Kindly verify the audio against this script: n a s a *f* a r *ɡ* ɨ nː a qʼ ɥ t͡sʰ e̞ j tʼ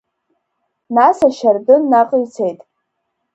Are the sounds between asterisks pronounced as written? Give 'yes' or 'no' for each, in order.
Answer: no, no

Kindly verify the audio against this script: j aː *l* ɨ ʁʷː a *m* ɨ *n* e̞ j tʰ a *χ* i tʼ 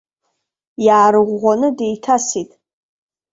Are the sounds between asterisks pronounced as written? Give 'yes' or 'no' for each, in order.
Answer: no, no, no, no

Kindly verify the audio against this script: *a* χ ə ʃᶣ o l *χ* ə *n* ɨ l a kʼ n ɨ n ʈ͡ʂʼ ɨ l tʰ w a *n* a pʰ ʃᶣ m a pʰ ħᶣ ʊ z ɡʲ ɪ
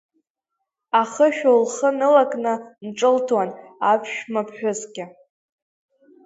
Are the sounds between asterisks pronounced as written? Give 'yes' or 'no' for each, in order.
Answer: yes, yes, yes, yes

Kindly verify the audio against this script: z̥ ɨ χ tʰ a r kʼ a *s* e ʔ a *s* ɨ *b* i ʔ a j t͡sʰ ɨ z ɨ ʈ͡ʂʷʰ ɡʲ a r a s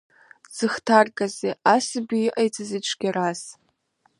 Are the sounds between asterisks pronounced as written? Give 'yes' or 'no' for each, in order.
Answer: no, yes, yes

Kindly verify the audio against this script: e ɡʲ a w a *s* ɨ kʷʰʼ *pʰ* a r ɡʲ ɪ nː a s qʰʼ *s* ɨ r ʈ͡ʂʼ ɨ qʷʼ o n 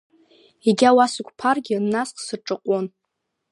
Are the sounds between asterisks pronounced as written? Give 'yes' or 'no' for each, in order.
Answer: yes, yes, yes

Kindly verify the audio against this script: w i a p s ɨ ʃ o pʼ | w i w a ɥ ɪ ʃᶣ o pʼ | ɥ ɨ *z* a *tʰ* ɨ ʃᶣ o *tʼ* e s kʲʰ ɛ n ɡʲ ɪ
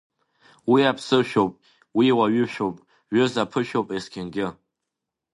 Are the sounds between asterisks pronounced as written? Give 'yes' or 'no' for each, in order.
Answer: yes, no, no

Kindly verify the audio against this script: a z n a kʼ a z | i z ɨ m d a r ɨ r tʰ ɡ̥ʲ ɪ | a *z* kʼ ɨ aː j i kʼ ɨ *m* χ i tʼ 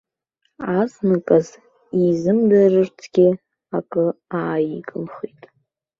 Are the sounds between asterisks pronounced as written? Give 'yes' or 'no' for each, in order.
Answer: no, yes

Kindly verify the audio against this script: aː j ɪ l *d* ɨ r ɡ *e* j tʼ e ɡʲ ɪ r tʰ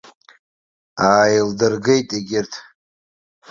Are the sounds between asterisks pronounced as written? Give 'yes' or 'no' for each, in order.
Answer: yes, yes

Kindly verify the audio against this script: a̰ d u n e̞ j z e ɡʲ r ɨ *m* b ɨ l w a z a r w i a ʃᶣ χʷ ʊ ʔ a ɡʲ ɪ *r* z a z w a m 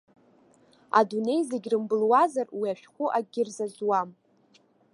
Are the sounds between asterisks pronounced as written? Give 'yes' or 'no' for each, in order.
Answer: yes, yes

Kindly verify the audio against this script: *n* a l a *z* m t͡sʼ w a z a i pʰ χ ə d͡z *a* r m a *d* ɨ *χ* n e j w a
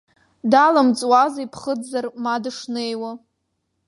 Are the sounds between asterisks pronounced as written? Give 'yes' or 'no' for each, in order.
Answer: no, no, yes, yes, no

